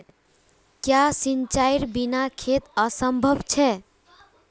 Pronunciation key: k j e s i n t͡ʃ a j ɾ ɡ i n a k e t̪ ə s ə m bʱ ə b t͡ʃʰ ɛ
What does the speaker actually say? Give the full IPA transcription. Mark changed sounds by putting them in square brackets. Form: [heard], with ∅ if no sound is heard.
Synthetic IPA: k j [a] s i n t͡ʃ a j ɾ [b] i n a [kʰ] e t̪ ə s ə m bʱ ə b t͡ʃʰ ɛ